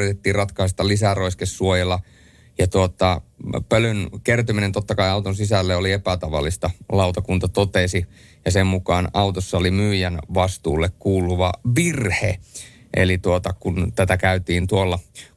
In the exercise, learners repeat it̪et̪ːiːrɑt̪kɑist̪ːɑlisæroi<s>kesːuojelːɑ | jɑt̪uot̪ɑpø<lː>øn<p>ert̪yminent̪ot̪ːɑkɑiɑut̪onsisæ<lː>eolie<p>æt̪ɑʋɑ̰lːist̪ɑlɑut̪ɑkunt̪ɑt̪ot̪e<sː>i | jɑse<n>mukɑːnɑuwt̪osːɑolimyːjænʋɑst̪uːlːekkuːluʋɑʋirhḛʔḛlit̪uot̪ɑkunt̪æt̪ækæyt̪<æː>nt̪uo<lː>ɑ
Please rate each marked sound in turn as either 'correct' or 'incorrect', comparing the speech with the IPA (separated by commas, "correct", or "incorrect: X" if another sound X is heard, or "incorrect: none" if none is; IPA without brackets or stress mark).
correct, incorrect: l, incorrect: k, correct, correct, incorrect: s, incorrect: m, incorrect: iː, correct